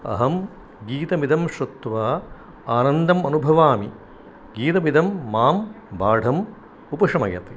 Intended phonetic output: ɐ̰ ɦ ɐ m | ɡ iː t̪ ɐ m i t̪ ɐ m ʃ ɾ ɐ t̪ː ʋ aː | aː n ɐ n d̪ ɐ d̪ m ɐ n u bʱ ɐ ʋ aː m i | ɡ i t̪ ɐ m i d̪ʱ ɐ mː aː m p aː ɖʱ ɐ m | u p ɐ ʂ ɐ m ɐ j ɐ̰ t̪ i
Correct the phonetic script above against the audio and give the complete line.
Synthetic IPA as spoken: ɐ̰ ɦ ɐ m | ɡ iː t̪ ɐ m i d̪ ɐ m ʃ ɾ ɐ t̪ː ʋ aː | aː n ɐ n d̪ ɐ m ɐ n u bʱ ɐ ʋ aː m i | ɡ iː t̪ ɐ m i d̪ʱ ɐ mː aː m b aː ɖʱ ɐ m | u p ɐ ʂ ɐ m ɐ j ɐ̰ t̪ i